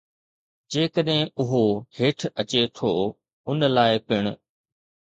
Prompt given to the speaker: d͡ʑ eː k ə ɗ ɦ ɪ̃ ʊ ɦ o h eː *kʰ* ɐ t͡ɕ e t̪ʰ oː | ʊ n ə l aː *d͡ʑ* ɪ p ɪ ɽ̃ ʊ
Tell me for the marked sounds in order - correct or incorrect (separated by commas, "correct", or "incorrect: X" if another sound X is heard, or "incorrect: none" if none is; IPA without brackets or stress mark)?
incorrect: ʈʰ, incorrect: none